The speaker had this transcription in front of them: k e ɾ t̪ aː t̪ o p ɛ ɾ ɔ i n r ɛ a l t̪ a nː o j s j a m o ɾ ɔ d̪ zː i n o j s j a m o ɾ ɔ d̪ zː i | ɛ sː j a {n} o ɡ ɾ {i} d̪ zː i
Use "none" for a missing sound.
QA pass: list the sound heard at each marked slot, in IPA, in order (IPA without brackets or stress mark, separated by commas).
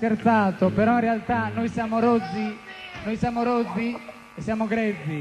m, ɛ